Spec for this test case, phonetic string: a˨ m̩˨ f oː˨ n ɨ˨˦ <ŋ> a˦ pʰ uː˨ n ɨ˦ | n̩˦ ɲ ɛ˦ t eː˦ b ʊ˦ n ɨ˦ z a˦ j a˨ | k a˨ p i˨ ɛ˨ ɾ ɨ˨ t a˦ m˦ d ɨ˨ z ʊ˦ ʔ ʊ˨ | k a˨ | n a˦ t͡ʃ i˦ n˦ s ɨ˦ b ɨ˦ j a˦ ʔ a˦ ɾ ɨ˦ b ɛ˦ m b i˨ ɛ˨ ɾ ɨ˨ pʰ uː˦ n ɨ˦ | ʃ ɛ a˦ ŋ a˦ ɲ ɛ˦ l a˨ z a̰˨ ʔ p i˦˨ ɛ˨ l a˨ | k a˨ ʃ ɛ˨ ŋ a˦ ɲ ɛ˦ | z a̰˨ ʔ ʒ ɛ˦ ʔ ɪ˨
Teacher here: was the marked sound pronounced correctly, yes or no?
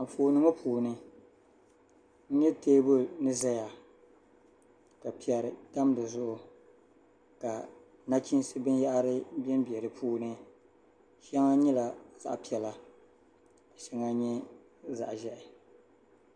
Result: yes